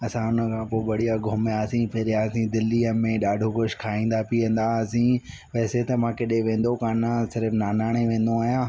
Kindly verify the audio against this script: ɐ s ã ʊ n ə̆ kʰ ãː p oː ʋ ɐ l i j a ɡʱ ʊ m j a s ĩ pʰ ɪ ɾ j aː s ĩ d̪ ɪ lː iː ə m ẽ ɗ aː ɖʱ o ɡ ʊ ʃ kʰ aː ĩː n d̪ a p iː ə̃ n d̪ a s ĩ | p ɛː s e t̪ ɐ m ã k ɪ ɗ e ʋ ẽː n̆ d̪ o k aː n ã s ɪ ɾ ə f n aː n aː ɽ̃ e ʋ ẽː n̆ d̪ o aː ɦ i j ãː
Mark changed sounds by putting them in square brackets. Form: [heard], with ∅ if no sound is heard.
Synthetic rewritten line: ɐ s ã ʊ n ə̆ kʰ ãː p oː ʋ ɐ [ɽ] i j a ɡʱ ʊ m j a s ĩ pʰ ɪ ɾ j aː s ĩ d̪ ɪ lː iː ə m ẽ ɗ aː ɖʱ o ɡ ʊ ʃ kʰ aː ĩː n d̪ a p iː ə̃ n d̪ a s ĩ | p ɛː s e t̪ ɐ m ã k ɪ ɗ e ʋ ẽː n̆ d̪ o k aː n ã s ɪ ɾ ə f n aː n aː ɽ̃ e ʋ ẽː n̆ d̪ o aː ɦ i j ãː